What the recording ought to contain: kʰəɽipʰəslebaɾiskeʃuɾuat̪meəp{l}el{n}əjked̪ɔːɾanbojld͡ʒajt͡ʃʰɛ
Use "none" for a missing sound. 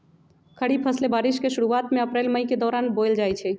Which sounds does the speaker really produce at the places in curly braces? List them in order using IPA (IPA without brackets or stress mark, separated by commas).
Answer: ɾ, m